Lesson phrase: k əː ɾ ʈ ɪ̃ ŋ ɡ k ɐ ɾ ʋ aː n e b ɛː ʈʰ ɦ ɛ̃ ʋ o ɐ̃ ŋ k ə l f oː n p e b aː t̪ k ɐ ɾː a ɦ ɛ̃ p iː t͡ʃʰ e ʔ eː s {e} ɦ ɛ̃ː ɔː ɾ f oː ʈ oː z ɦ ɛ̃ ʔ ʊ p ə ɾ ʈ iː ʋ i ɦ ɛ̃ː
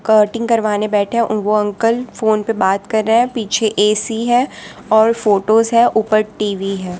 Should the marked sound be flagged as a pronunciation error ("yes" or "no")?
yes